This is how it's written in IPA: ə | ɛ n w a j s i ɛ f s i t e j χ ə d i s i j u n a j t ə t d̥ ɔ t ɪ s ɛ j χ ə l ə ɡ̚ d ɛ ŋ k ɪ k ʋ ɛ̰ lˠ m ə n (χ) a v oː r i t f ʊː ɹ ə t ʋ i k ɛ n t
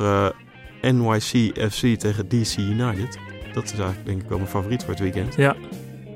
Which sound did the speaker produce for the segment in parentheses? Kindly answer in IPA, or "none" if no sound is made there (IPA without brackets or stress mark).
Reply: f